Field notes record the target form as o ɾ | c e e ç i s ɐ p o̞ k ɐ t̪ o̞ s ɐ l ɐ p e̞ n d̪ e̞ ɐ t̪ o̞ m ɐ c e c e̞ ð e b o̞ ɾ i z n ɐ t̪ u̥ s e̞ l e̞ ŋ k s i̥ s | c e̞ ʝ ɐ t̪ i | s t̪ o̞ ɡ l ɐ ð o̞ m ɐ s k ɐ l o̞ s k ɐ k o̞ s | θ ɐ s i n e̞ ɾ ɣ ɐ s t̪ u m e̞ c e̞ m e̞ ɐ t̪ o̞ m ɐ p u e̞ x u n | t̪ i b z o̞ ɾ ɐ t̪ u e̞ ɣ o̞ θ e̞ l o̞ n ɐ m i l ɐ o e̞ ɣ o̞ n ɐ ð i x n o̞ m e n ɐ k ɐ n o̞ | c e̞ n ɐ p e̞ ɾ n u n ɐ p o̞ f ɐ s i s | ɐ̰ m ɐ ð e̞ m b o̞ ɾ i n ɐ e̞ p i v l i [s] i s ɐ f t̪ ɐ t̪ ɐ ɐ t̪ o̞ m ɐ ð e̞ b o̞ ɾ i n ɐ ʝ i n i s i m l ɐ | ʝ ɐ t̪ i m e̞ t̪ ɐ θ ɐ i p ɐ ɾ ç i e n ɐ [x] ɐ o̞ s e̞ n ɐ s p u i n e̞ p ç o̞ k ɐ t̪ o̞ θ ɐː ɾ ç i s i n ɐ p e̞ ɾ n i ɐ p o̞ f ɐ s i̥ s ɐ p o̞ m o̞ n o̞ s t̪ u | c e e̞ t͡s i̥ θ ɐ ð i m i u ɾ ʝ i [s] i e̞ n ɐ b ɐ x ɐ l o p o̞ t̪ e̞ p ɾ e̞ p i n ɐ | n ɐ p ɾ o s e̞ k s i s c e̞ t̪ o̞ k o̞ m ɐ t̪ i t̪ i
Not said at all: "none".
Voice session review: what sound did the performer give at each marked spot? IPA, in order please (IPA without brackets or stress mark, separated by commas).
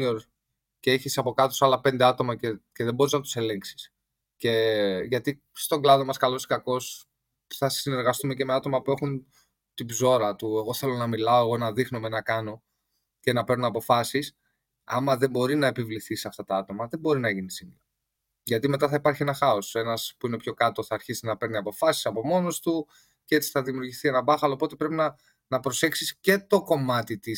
θ, x, θ